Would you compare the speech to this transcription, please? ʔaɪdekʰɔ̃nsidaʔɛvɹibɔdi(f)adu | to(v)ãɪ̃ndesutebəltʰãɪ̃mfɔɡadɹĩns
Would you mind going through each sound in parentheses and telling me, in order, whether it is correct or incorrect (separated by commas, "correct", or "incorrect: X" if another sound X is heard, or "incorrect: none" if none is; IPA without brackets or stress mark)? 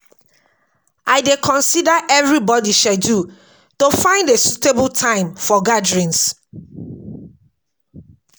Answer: incorrect: ʃ, incorrect: f